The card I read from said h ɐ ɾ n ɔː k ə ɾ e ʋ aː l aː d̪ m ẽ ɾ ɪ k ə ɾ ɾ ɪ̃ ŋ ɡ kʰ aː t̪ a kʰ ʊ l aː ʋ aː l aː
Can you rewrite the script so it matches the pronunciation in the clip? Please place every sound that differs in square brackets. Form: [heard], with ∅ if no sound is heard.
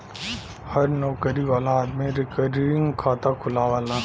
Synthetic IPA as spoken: h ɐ ɾ n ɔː k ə ɾ [i] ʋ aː l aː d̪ m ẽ ɾ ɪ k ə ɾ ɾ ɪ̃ ŋ ɡ kʰ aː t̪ a kʰ ʊ l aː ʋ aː l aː